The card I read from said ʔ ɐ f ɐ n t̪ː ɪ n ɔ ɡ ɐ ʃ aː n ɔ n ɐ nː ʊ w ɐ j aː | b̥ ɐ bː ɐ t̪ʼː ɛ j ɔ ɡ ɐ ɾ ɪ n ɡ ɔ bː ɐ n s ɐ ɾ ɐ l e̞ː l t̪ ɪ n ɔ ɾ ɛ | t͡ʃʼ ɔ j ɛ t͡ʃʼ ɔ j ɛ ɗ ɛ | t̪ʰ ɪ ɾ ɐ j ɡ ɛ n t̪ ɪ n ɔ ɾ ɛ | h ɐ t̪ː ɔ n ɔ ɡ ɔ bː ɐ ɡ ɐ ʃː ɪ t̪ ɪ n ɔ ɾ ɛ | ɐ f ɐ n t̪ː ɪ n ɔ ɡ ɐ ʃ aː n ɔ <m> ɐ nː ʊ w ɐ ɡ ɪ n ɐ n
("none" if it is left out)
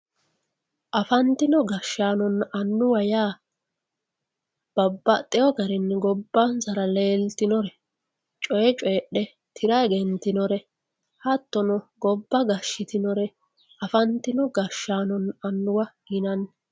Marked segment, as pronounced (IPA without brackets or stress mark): n